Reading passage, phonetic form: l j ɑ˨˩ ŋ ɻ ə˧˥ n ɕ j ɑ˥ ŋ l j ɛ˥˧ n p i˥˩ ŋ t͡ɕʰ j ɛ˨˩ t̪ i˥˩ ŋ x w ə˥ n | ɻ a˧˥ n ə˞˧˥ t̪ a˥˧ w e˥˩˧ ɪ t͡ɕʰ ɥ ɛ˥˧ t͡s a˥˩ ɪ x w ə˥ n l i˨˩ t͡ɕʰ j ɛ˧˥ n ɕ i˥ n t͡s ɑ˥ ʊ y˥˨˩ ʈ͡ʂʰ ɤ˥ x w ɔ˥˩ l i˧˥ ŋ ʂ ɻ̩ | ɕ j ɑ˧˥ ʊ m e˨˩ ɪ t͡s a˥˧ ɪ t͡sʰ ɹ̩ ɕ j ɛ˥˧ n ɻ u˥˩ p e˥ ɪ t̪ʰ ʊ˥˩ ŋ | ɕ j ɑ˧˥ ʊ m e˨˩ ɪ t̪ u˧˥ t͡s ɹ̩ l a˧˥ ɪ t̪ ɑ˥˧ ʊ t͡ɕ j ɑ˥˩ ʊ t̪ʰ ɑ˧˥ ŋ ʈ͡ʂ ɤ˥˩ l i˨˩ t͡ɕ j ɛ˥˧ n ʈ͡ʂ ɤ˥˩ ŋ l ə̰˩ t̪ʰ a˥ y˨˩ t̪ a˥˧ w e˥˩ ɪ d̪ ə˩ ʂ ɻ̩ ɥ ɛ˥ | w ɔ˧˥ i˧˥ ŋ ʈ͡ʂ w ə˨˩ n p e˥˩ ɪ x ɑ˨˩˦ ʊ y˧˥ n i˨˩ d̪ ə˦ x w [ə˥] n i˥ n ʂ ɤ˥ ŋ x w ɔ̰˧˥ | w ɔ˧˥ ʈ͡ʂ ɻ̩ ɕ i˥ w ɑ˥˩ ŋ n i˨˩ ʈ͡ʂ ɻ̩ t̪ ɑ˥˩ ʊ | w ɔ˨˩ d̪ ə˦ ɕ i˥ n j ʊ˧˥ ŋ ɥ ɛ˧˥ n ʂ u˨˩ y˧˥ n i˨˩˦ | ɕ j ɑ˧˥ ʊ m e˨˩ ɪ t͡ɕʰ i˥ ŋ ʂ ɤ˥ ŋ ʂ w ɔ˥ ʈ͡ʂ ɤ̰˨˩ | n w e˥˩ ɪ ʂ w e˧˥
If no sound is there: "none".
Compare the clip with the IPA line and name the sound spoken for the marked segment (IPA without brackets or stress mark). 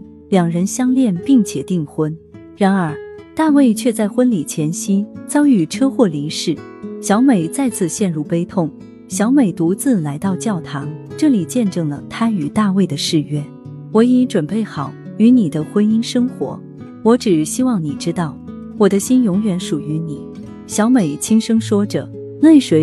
ə˥